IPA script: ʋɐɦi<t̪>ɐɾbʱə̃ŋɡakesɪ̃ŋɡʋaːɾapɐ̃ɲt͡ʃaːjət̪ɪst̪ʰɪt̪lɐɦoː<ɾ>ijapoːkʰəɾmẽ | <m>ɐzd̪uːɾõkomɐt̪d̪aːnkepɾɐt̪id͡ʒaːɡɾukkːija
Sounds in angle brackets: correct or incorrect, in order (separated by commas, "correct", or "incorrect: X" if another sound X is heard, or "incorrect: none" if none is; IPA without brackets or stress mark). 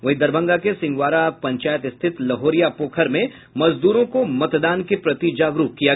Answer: incorrect: d̪, correct, correct